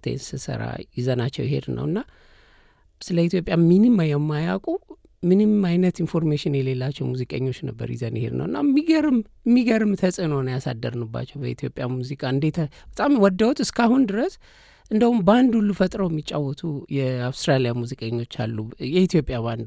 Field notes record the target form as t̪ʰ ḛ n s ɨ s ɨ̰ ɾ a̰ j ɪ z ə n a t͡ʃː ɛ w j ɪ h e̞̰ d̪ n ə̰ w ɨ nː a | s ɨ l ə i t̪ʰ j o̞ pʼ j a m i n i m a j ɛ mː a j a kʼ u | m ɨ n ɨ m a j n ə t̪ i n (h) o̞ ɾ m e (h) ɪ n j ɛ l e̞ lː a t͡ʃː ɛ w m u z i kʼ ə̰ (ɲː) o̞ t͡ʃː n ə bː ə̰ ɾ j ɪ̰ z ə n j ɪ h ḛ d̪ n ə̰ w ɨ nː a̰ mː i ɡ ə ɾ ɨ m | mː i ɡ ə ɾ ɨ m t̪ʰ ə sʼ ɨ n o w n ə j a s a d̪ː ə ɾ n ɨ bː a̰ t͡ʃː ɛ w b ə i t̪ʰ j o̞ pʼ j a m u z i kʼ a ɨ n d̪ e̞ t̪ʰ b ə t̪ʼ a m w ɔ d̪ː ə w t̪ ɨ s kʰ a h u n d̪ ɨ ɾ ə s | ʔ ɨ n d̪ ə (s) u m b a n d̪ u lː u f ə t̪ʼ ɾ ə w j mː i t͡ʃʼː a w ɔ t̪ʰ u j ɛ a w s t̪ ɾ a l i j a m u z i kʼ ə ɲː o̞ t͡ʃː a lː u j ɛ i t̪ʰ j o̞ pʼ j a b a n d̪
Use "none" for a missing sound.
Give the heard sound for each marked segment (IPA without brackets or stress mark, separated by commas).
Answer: f, ʃ, ɲː, h